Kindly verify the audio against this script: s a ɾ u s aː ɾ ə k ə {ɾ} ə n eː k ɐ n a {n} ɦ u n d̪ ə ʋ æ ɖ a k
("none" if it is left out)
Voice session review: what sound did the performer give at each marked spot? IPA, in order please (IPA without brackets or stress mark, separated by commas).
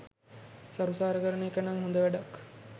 ɾ, ŋ